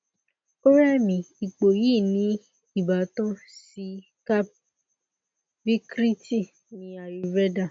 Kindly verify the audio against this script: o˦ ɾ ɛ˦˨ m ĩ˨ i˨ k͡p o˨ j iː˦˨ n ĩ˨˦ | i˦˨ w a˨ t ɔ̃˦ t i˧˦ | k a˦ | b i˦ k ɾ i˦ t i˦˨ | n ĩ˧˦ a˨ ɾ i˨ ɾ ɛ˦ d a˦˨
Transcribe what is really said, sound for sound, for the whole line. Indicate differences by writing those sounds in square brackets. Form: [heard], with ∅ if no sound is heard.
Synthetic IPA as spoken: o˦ ɾ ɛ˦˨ m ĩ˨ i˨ k͡p o˨ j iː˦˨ n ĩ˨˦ | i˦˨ [b] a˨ t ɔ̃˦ [s] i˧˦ | k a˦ | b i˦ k ɾ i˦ t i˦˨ | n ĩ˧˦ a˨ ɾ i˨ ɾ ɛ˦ d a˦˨

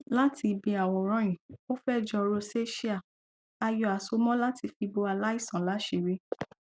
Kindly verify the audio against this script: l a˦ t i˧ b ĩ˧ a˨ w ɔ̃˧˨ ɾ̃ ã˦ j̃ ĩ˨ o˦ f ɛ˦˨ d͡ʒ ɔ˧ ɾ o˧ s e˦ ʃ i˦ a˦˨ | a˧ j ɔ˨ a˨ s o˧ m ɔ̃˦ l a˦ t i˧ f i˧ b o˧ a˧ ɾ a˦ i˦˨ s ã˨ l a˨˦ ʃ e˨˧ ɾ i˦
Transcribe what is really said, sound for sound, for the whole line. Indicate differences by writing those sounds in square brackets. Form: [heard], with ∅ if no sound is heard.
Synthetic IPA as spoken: l a˦ t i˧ b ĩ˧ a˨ w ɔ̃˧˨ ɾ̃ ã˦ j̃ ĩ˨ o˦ f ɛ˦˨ d͡ʒ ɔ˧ ɾ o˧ s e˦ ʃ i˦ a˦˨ | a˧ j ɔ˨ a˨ s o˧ m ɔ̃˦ l a˦ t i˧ f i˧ b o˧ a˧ [l] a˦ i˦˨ s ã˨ l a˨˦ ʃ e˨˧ ɾ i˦

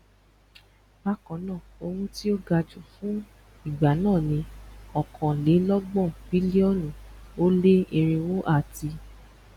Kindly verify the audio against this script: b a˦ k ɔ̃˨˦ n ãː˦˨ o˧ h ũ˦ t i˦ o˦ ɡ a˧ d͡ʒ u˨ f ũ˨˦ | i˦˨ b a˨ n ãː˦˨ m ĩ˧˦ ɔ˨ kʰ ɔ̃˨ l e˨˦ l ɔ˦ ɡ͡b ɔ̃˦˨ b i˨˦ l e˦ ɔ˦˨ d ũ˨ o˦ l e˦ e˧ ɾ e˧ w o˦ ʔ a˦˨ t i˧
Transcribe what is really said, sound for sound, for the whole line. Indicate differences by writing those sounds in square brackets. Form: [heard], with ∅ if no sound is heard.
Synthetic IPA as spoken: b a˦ k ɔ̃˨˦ n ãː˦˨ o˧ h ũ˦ t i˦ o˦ ɡ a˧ d͡ʒ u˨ f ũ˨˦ | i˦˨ [ɡ͡b] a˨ n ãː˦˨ [n] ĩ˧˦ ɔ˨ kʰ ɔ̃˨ l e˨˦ l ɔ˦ ɡ͡b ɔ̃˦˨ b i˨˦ l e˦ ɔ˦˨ [n] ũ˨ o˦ l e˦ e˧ ɾ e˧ w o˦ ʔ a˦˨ t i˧

